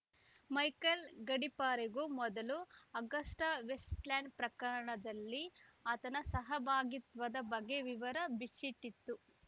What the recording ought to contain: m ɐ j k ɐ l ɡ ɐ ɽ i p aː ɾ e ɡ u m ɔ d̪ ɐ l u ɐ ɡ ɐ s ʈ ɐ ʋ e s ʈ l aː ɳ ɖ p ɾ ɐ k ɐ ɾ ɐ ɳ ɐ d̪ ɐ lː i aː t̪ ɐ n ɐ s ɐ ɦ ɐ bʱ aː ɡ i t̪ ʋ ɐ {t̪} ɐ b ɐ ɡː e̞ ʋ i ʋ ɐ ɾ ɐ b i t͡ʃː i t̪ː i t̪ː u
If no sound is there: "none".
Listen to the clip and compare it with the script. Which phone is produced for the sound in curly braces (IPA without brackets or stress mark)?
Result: d̪